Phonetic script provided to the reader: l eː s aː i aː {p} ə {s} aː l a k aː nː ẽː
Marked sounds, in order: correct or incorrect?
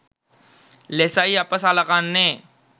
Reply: correct, correct

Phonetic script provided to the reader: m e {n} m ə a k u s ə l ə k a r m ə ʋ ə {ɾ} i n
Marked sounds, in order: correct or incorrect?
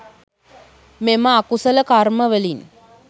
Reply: incorrect, incorrect

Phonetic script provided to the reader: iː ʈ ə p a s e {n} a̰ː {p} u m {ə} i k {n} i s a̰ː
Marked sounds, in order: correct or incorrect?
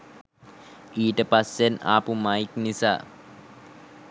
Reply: correct, correct, incorrect, correct

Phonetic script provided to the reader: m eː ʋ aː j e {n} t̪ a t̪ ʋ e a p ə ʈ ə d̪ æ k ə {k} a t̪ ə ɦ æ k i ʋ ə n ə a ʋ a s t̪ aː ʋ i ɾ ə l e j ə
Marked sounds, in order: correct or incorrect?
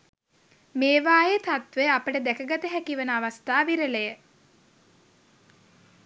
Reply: incorrect, incorrect

